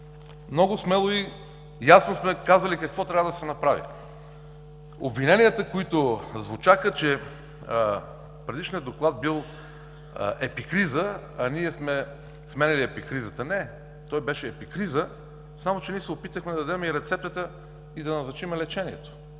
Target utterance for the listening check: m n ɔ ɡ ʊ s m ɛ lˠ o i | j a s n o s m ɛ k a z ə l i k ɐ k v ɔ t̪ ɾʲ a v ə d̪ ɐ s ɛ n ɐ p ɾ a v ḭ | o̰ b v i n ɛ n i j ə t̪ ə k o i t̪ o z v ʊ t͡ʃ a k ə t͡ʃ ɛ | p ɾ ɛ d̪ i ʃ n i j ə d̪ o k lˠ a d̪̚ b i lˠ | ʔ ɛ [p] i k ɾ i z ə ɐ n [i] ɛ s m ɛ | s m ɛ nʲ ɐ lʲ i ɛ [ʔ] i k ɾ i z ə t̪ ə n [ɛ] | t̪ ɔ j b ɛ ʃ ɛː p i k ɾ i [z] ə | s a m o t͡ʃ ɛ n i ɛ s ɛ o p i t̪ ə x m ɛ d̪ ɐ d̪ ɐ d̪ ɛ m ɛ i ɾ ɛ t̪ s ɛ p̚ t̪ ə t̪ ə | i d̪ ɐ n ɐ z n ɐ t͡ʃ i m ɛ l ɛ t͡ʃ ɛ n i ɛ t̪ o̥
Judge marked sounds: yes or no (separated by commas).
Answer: yes, yes, no, yes, yes